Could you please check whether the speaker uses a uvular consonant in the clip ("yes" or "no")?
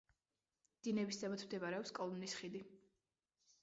yes